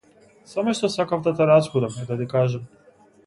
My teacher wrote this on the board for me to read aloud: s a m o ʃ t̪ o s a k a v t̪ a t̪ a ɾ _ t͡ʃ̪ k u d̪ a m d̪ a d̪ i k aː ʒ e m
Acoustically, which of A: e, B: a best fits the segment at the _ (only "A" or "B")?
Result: B